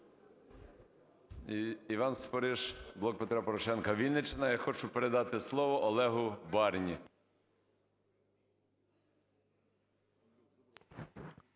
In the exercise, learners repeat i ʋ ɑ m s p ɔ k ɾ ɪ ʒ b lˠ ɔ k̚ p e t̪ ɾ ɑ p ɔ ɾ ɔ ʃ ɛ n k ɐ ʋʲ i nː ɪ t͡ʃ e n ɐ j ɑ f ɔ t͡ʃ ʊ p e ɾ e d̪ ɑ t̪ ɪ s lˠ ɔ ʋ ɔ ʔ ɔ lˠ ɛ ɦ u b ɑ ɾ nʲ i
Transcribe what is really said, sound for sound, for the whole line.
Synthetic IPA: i ʋ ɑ n s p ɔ ɾ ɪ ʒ b lˠ ɔ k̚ p e t̪ ɾ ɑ p ɔ ɾ ɔ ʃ ɛ n k ɐ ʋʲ i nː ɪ t͡ʃ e n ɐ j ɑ x ɔ t͡ʃ ʊ p e ɾ e d̪ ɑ t̪ ɪ s lˠ ɔ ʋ ɔ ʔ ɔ lˠ ɛ ɦ ʊ b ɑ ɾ nʲ i